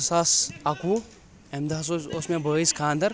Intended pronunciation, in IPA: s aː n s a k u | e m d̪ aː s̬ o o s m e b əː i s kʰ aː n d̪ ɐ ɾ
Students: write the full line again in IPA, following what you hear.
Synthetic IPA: s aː s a k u | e m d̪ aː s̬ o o s m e b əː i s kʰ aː n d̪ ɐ ɾ